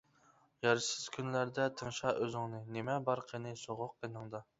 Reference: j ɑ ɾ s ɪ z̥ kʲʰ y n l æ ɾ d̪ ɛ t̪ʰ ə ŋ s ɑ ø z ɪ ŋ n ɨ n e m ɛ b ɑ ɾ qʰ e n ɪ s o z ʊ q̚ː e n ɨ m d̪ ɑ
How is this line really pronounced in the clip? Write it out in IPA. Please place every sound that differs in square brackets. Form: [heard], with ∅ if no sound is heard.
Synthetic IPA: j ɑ ɾ s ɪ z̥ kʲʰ y n l æ ɾ d̪ ɛ t̪ʰ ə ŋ [ʃ] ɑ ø z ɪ ŋ n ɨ n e m ɛ b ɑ ɾ qʰ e n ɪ s o [ʁ] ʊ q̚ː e n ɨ [ŋ] d̪ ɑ